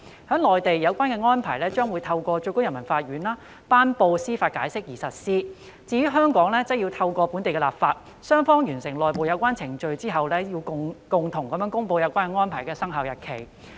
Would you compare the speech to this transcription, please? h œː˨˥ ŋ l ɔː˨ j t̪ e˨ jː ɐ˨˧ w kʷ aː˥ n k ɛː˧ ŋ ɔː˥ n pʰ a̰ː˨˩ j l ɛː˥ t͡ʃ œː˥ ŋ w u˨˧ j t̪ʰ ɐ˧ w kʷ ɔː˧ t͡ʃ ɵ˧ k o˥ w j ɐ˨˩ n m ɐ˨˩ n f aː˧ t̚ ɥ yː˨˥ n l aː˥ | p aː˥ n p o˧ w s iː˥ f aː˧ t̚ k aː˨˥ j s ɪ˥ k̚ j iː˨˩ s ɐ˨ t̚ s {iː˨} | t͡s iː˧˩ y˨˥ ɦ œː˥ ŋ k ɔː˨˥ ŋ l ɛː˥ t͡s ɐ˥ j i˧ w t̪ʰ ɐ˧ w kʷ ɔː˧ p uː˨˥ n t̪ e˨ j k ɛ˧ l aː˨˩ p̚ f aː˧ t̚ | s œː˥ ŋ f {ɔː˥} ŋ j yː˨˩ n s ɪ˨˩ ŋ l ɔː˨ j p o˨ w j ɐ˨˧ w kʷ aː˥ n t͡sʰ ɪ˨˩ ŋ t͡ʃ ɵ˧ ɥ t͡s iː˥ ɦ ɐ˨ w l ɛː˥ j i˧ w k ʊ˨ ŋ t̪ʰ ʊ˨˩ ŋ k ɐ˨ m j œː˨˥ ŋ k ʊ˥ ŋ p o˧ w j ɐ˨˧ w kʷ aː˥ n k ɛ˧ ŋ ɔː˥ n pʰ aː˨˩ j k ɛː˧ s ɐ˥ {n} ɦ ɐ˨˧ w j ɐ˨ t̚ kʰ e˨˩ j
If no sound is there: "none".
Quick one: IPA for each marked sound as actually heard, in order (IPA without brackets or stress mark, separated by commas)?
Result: iː˥, ɔː˥, ŋ